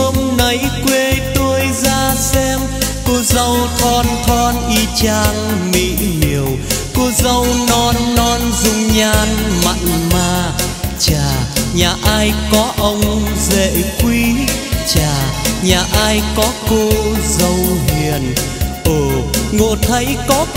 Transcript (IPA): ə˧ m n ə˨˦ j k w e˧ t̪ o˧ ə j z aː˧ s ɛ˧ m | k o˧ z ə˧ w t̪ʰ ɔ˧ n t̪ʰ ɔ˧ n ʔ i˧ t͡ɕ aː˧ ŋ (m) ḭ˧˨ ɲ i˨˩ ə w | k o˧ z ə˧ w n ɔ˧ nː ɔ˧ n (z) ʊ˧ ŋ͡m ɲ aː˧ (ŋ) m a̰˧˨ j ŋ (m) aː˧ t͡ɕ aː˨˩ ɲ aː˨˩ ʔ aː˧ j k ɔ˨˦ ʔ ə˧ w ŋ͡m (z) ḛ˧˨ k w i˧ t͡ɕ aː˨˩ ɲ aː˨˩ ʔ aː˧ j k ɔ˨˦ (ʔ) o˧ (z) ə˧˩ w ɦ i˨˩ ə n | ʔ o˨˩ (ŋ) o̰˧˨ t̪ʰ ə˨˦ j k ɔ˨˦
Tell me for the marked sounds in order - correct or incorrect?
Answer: correct, correct, incorrect, correct, correct, incorrect, correct, correct

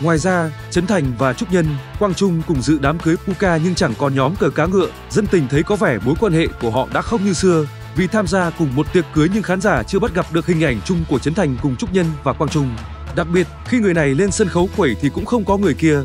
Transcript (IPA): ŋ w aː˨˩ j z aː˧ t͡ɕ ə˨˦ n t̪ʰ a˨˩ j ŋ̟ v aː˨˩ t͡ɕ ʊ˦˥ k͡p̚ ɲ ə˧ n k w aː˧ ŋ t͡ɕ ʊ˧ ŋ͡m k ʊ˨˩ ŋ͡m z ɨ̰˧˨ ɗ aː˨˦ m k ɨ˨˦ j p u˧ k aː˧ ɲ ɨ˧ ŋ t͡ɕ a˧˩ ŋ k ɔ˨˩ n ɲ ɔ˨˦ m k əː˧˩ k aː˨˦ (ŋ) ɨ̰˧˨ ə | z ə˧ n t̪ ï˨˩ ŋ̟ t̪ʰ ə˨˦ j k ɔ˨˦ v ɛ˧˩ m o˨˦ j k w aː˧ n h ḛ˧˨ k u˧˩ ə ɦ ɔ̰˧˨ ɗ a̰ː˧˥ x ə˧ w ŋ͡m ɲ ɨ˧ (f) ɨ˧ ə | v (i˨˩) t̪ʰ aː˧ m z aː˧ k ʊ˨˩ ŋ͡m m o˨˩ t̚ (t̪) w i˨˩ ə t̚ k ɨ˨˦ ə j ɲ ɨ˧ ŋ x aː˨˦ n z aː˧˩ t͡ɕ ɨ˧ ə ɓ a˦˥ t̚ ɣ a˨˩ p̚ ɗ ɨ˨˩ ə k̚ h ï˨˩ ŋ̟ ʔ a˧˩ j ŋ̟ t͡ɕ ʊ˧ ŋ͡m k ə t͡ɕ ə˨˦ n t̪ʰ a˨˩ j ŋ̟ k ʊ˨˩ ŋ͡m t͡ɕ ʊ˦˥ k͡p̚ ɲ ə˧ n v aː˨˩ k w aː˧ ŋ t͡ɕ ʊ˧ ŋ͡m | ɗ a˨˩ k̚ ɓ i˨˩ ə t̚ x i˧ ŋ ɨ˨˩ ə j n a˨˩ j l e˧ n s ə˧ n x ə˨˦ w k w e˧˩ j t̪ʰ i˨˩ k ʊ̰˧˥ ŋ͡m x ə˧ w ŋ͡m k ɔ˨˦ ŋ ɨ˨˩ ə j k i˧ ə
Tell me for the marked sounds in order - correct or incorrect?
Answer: correct, incorrect, correct, correct

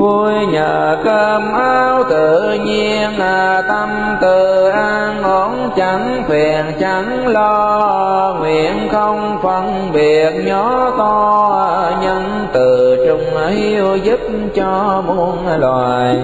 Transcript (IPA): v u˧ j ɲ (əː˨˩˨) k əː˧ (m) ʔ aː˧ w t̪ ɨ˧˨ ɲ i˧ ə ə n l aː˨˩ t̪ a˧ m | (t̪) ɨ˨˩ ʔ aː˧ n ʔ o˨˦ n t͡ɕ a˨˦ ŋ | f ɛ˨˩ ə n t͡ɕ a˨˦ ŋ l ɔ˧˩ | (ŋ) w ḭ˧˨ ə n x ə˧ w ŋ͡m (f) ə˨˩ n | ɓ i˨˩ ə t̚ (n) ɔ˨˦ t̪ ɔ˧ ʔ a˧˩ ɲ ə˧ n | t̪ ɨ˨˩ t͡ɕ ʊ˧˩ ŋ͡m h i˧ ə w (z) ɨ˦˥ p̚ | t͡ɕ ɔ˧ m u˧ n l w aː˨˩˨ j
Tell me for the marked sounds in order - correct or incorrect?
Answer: correct, correct, correct, correct, correct, incorrect, correct

